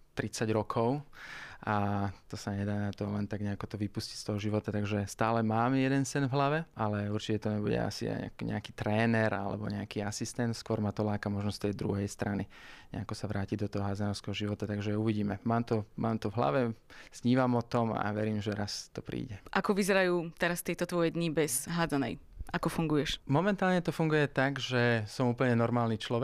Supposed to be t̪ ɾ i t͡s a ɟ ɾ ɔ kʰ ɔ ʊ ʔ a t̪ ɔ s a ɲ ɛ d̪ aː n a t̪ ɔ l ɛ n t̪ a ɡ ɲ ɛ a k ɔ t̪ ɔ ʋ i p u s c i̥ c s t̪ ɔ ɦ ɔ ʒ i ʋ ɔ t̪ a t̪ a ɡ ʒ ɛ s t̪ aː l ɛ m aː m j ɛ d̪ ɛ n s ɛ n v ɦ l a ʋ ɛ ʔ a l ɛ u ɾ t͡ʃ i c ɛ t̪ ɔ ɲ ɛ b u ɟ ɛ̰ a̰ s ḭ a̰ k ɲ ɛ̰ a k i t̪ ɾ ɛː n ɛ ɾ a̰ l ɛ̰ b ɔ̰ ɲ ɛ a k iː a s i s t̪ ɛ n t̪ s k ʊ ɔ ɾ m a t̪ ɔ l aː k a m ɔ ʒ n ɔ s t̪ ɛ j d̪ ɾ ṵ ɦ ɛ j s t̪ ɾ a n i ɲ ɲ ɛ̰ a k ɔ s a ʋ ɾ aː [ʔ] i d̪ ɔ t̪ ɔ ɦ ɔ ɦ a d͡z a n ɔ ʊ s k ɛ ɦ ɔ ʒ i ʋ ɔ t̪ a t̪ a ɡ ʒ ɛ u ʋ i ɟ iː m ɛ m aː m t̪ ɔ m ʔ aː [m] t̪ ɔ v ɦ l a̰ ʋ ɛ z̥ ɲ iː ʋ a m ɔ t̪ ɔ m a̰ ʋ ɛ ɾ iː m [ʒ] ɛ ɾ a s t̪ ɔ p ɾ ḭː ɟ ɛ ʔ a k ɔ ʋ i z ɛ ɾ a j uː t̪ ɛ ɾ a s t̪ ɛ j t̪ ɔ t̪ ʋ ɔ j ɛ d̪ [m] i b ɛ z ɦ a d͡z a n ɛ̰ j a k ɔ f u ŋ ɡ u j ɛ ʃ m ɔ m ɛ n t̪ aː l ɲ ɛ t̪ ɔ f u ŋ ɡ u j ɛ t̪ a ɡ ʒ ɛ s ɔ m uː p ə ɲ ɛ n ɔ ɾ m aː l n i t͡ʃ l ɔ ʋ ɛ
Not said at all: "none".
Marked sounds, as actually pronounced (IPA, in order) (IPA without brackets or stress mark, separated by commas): c, m, ʒ, ɲ